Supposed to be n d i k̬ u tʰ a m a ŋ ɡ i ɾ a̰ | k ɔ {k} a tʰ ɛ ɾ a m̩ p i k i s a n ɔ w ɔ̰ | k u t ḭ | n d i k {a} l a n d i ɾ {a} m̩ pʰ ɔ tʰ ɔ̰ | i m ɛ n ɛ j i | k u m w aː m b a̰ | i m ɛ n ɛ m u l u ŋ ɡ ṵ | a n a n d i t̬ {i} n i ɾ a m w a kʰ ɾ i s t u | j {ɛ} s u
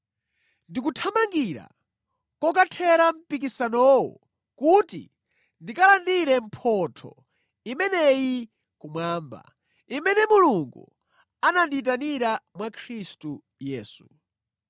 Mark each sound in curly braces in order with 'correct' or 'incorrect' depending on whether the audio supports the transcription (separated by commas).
correct, correct, incorrect, incorrect, incorrect